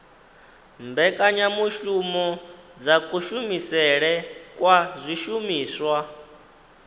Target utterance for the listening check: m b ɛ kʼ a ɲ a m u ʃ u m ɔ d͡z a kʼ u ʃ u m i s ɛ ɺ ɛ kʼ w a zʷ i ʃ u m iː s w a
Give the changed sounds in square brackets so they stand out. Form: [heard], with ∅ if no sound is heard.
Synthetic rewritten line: m b ɛ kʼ a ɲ a m u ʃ u m ɔ d͡z a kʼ u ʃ u m i s ɛ ɺ ɛ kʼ w a zʷ i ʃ u m iː s w a